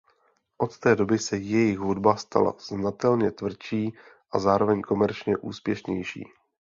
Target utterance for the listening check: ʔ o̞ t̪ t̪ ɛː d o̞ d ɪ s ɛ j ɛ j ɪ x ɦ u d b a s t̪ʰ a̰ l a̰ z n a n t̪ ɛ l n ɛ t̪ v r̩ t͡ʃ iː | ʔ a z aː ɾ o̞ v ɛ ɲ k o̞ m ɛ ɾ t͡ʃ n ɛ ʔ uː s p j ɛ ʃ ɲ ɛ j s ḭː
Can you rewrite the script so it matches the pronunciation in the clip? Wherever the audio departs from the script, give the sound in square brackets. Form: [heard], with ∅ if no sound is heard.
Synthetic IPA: ʔ o̞ t̪ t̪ ɛː d o̞ [b] ɪ s ɛ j ɛ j ɪ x ɦ u d b a s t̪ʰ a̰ l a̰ z n a [∅] t̪ ɛ l [ɲ] ɛ t̪ v r̩ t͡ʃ iː | ʔ a z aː ɾ o̞ v ɛ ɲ k o̞ m ɛ ɾ t͡ʃ [ɲ] ɛ ʔ uː s p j ɛ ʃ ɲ ɛ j [ʃ] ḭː